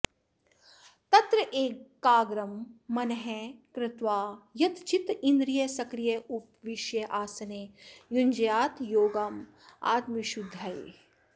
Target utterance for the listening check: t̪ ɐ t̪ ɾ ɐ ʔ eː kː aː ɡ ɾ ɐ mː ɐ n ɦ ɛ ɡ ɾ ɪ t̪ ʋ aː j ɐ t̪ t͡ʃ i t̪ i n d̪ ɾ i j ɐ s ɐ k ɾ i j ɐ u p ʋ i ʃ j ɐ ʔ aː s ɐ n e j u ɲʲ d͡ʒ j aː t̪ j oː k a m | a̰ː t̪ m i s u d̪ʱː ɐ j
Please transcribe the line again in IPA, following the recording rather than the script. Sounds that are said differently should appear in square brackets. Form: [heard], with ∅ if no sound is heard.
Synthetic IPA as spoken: t̪ ɐ t̪ ɾ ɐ ʔ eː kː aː ɡ ɾ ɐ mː ɐ n ɦ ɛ [k] ɾ ɪ t̪ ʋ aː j ɐ t̪ t͡ʃ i t̪ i n d̪ ɾ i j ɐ s ɐ k ɾ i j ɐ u p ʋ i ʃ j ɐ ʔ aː s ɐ n e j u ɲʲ d͡ʒ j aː t̪ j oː [ɡ] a m | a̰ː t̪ m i [ʃ] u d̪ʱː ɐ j

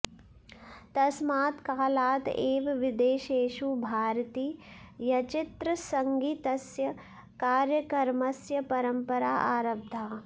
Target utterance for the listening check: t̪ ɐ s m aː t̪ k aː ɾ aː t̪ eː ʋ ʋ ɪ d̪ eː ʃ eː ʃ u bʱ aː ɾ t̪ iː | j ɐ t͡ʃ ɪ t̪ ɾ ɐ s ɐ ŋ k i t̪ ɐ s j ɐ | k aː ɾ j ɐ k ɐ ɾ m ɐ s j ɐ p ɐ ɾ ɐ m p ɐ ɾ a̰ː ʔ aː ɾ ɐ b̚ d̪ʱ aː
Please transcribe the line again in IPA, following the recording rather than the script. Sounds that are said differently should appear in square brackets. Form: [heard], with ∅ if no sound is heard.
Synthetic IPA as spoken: t̪ ɐ s m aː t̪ k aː [l] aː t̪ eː ʋ ʋ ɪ d̪ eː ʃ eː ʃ u bʱ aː ɾ t̪ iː | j ɐ t͡ʃ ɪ t̪ ɾ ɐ s ɐ ŋ [ɡ] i t̪ ɐ s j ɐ | k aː ɾ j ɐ k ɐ ɾ m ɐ s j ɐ p ɐ ɾ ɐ m p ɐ ɾ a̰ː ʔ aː ɾ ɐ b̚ d̪ʱ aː

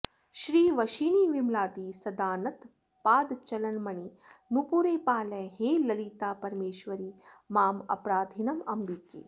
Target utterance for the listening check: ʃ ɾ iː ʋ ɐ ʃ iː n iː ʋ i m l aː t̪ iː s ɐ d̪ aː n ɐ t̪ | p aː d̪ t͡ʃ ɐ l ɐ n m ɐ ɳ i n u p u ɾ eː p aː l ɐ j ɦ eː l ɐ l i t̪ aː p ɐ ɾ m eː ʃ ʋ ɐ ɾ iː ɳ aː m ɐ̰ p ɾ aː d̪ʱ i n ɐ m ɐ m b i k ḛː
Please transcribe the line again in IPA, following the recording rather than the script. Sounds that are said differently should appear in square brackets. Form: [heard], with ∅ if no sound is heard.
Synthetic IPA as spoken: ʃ ɾ iː ʋ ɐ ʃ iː n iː ʋ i m l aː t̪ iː s ɐ d̪ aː n ɐ t̪ | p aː d̪ t͡ʃ ɐ l ɐ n m ɐ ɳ i n u p u ɾ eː p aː l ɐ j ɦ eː l ɐ l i t̪ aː p ɐ ɾ m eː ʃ ʋ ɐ ɾ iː [m] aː m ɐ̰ p ɾ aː d̪ʱ i n ɐ m ɐ m b i k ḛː

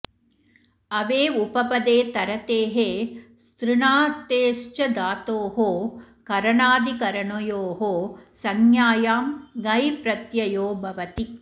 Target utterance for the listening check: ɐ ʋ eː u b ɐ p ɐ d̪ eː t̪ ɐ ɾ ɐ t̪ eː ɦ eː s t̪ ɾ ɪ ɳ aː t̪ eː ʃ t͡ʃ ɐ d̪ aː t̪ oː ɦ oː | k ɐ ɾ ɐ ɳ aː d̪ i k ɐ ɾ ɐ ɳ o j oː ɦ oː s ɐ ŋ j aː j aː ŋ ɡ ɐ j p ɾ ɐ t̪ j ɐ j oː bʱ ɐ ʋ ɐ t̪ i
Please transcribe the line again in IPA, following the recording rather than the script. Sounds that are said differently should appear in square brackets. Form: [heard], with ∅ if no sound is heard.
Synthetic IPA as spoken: ɐ ʋ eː u [p] ɐ p ɐ d̪ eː t̪ ɐ ɾ ɐ t̪ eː ɦ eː s t̪ ɾ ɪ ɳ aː t̪ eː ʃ t͡ʃ ɐ d̪ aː t̪ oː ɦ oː | k ɐ ɾ ɐ ɳ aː d̪ i k ɐ ɾ ɐ ɳ o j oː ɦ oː s ɐ ŋ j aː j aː [m] ɡ ɐ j p ɾ ɐ t̪ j ɐ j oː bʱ ɐ ʋ ɐ t̪ i

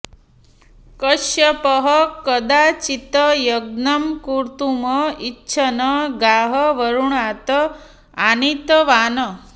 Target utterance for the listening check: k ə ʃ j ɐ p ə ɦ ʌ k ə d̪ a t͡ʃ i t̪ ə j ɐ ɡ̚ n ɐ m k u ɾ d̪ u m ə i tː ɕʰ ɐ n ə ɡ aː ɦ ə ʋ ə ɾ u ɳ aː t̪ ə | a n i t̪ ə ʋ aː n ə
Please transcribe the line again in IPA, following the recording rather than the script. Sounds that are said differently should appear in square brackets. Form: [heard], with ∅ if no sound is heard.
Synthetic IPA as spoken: k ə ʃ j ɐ p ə ɦ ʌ k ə d̪ a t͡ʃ i t̪ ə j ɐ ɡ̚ n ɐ m k u ɾ [t̪] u m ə i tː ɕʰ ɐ n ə ɡ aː ɦ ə ʋ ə ɾ u ɳ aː t̪ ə | a n i t̪ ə ʋ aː n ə

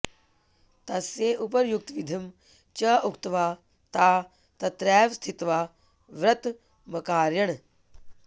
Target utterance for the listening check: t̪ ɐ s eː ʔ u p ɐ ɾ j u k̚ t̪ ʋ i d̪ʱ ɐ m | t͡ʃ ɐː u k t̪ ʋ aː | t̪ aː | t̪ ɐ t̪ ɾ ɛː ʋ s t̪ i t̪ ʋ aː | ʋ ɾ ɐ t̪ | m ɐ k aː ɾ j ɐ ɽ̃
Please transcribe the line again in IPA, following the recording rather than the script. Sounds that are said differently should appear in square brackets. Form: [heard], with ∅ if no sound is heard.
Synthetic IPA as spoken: t̪ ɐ s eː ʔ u p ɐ ɾ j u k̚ t̪ ʋ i d̪ʱ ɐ m | t͡ʃ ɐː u k t̪ ʋ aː | t̪ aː | t̪ ɐ t̪ ɾ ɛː ʋ s [t̪ʰ] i t̪ ʋ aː | ʋ ɾ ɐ t̪ | m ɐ k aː ɾ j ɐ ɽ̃

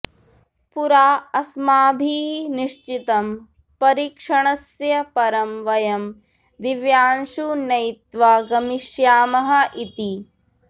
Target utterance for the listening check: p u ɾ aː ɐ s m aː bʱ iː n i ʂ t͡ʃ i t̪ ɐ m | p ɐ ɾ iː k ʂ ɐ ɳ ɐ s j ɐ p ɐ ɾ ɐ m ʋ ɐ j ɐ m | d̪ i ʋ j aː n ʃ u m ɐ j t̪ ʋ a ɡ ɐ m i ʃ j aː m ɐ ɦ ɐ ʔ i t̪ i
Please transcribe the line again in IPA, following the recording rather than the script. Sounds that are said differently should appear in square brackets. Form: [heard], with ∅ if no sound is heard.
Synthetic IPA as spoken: p u ɾ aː ɐ s m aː bʱ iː n i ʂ t͡ʃ i t̪ ɐ m | p ɐ ɾ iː k ʂ ɐ ɳ ɐ s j ɐ p ɐ ɾ ɐ m ʋ ɐ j ɐ m | d̪ i ʋ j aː n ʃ u [n] ɐ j t̪ ʋ a ɡ ɐ m i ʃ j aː m ɐ ɦ ɐ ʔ i t̪ i

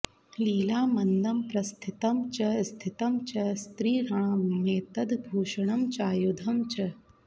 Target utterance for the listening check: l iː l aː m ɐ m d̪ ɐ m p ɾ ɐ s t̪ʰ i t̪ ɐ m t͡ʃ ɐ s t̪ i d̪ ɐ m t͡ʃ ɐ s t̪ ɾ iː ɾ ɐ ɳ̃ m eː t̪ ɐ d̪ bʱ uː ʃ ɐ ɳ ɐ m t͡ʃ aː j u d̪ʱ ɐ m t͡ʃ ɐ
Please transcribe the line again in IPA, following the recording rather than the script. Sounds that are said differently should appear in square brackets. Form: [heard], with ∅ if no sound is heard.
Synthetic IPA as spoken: l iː l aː m ɐ [n] d̪ ɐ m p ɾ ɐ s t̪ʰ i t̪ ɐ m t͡ʃ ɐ s [t̪ʰ] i [t̪] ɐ m t͡ʃ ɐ s t̪ ɾ iː ɾ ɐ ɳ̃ m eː t̪ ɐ d̪ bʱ uː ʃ ɐ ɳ ɐ m t͡ʃ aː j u d̪ʱ ɐ m t͡ʃ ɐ

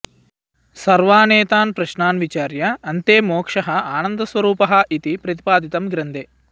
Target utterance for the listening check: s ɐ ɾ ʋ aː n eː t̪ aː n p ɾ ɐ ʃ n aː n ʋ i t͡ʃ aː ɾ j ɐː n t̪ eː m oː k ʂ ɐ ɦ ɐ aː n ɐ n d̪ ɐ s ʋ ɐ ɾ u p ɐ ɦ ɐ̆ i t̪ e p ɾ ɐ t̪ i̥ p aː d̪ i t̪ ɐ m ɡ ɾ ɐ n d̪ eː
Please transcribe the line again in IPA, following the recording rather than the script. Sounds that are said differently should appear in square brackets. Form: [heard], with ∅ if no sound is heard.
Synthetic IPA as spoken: s ɐ ɾ ʋ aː n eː t̪ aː n p ɾ ɐ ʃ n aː n ʋ i t͡ʃ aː ɾ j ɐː n t̪ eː m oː k ʂ ɐ ɦ ɐ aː n ɐ n d̪ ɐ s ʋ ɐ ɾ [uː] p ɐ ɦ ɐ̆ i t̪ [i] p ɾ ɐ t̪ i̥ p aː d̪ i t̪ ɐ m ɡ ɾ ɐ n d̪ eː

